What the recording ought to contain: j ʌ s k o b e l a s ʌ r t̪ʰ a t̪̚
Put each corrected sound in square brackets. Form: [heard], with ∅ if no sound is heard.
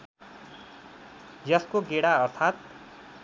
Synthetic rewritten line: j ʌ s k o [ɡ] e [ɽ] a [∅] ʌ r t̪ʰ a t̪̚